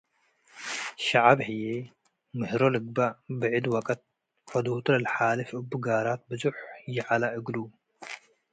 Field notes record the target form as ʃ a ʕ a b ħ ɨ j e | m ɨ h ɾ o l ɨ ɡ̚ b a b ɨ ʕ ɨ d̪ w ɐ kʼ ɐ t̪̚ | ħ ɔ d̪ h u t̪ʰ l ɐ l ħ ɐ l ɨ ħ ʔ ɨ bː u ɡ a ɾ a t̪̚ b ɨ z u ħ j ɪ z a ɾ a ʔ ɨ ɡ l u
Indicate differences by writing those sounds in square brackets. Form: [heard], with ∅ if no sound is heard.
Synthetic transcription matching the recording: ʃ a ʕ a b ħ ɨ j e | m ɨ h ɾ o l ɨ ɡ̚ b a b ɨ ʕ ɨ d̪ w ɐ kʼ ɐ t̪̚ | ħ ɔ d̪ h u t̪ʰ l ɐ l ħ [a] l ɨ [f] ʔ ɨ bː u ɡ a ɾ a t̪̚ b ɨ z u ħ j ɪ [ʕ] a [l] a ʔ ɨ ɡ l u